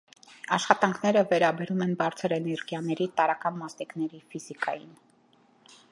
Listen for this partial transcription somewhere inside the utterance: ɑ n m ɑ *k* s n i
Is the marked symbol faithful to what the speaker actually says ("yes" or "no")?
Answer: no